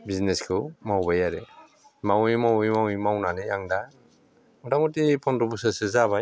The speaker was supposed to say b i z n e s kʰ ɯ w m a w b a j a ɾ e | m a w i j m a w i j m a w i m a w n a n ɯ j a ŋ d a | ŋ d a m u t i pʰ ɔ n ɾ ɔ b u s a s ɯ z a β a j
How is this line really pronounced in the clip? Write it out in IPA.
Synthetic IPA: b i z n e s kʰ ɯ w m a w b a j a ɾ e | m a w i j m a w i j m a w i m a w n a n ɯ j a ŋ d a | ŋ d a m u t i pʰ ɔ n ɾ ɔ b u s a s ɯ z a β a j